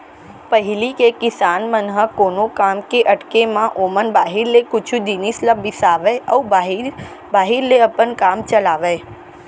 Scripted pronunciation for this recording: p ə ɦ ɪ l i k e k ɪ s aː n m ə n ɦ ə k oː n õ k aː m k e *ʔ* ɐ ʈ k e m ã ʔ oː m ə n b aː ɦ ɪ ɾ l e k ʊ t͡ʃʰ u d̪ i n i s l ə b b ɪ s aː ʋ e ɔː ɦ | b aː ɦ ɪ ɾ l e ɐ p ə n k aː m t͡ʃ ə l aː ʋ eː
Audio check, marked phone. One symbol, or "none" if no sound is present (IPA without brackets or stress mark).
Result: ʔ